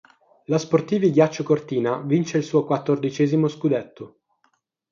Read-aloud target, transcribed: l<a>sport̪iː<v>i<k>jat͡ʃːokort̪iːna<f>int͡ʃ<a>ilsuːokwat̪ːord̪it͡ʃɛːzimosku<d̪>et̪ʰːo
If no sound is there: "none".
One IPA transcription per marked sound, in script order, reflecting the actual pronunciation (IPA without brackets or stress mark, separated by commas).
a, v, ɡ, v, e, d̪